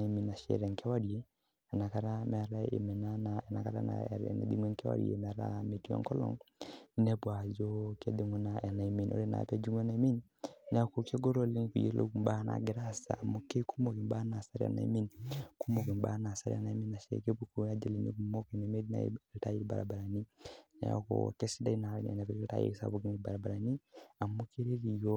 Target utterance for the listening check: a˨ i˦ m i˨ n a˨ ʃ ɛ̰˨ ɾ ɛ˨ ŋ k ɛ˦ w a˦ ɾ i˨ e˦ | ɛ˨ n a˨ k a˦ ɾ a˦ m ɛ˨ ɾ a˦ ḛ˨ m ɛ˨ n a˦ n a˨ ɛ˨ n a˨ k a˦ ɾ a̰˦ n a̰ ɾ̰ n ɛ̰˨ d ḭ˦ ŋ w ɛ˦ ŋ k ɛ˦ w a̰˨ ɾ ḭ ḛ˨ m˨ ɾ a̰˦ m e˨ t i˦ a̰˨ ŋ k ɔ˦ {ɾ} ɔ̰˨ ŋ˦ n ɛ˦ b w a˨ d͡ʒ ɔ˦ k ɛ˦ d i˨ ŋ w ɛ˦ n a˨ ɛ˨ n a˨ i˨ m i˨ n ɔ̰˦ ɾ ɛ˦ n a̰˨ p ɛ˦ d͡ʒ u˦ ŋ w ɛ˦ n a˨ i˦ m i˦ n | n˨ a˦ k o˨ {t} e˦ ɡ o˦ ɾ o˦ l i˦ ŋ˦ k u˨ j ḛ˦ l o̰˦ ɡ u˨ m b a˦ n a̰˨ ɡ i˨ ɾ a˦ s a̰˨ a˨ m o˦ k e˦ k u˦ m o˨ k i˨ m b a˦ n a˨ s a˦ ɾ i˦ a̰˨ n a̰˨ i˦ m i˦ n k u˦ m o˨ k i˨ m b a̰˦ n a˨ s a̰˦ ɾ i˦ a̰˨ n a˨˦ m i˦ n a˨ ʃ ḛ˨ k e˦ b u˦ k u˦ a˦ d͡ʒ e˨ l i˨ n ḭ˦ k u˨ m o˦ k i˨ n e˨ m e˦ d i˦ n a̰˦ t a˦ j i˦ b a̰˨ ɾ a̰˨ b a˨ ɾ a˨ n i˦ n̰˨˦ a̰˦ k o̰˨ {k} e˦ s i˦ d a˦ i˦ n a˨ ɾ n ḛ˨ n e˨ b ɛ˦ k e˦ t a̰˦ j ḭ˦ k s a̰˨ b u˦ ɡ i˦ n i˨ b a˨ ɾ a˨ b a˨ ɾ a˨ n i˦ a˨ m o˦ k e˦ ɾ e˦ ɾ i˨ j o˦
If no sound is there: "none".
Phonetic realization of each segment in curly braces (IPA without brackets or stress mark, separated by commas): l, k, k